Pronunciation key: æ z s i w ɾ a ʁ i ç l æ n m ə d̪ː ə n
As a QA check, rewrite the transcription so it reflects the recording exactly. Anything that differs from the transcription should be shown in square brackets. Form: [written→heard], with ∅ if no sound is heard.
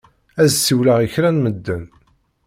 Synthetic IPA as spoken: æ z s i w [ɾ→l] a ʁ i ç [l→ɾ] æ n m ə d̪ː ə n